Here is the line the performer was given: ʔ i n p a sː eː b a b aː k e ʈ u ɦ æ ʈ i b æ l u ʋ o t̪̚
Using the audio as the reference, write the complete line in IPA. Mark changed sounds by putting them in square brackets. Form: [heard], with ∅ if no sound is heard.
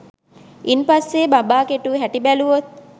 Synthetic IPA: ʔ i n p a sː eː b a b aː k e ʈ u ɦ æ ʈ i b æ l u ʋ o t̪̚

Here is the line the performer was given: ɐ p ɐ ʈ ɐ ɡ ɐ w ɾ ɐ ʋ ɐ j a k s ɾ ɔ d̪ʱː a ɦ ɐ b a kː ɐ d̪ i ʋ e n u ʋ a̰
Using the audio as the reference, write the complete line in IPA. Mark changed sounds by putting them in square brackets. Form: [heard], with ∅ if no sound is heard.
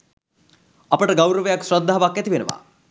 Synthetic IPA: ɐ p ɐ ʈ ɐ ɡ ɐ w ɾ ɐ ʋ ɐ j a k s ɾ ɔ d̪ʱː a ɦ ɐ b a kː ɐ [t̪] i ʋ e n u ʋ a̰

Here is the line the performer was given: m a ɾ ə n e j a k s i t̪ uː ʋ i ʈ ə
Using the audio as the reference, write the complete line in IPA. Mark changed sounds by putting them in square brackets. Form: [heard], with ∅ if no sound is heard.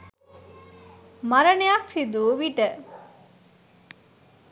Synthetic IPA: m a ɾ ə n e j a k s i [d̪] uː ʋ i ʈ ə

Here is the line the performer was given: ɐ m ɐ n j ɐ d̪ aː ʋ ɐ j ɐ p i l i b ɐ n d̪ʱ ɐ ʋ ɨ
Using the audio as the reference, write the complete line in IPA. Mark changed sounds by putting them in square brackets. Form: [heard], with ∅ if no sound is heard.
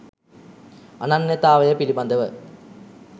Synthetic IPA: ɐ [n] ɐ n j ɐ [t̪] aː ʋ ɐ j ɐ p i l i b ɐ n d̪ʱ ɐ ʋ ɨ

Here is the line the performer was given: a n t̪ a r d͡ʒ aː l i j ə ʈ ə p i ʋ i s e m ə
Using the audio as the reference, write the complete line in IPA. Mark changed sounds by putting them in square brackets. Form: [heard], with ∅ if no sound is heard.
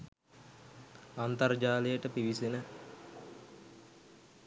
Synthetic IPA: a n t̪ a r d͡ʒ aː l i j ə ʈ ə p i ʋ i s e [n] ə

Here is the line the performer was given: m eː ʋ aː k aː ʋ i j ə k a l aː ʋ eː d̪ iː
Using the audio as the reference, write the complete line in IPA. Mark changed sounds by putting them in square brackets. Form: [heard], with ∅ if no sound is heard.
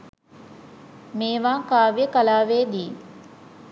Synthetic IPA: m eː ʋ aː k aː ʋ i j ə k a l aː ʋ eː d̪ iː

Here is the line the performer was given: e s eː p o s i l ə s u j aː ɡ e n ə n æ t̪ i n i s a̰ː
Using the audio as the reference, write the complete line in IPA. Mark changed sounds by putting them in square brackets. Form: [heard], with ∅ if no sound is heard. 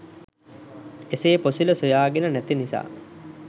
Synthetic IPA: e s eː p o s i l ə s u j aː ɡ e n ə n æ t̪ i n i s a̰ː

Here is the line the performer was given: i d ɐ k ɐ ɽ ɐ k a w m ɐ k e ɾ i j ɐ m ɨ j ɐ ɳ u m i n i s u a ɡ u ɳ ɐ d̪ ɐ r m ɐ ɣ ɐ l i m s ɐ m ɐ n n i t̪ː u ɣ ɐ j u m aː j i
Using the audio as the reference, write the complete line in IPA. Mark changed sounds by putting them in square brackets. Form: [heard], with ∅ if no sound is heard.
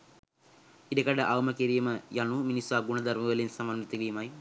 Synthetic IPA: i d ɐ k ɐ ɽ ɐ [ʔ] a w m ɐ k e ɾ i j ɐ m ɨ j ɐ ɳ u m i n i s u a ɡ u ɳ ɐ d̪ ɐ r m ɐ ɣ ɐ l i [n] s ɐ m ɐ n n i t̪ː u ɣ ɐ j u m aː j i

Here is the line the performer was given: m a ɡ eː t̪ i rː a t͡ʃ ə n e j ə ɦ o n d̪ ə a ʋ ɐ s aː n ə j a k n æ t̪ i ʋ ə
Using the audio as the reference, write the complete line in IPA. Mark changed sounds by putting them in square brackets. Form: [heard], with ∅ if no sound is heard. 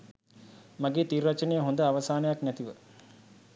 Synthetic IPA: m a ɡ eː t̪ i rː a t͡ʃ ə n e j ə ɦ o n d̪ ə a ʋ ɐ s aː n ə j a k n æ t̪ i ʋ ə

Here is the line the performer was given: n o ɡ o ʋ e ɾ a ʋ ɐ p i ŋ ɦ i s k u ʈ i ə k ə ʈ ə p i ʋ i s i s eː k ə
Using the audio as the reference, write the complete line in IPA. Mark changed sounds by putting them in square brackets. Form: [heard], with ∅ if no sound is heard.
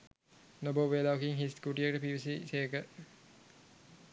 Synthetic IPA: n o [b] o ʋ e [l] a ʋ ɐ [k] i ŋ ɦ i s k u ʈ i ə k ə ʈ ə p i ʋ i s i s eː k ə

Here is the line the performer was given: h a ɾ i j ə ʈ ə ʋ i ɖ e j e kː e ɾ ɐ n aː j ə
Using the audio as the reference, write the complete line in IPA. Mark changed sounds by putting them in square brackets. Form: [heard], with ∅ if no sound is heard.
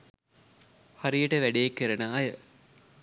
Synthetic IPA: h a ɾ i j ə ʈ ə ʋ [æ] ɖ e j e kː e ɾ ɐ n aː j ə

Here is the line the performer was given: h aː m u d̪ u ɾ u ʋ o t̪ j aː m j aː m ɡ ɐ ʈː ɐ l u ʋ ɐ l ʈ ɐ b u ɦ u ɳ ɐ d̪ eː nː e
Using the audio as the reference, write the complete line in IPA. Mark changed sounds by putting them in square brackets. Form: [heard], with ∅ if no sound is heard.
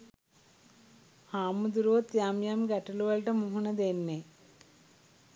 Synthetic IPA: h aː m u d̪ u ɾ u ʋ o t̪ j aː m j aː m ɡ ɐ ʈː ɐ l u ʋ ɐ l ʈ ɐ [m] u ɦ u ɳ ɐ d̪ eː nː e

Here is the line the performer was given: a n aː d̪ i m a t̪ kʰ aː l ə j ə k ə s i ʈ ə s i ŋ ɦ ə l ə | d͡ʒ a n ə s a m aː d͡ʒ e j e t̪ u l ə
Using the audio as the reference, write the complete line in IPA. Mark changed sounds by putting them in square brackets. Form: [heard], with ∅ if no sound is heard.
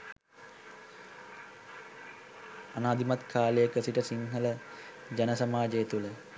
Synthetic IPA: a n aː d̪ i m a t̪ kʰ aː l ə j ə k ə s i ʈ ə s i ŋ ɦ ə l ə | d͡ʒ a n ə s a m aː d͡ʒ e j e t̪ u l ə

